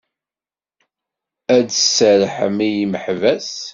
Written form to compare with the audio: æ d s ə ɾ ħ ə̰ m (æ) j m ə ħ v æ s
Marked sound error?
yes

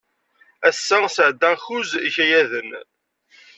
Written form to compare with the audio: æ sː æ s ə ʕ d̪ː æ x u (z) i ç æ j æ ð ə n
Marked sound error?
no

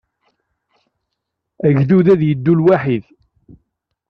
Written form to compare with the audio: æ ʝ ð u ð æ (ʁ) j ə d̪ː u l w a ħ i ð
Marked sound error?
yes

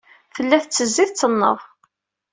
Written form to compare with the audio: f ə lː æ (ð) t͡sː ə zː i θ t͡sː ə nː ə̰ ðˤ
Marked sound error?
yes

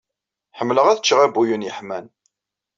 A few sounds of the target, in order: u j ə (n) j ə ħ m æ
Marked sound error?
no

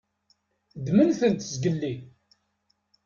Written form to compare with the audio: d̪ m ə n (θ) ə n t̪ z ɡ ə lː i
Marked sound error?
no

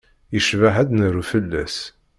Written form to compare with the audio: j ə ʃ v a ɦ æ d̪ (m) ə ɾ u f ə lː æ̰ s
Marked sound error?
yes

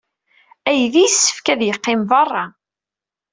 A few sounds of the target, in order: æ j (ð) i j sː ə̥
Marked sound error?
no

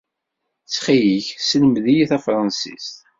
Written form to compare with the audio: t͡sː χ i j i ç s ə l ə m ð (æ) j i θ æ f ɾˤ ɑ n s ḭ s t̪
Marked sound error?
yes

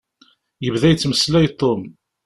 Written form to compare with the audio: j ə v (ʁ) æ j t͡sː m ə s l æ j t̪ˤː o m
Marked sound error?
yes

